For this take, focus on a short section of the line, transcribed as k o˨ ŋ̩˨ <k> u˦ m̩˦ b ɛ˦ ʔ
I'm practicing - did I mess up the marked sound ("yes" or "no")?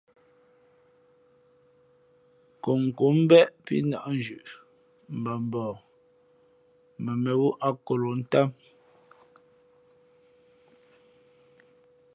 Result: no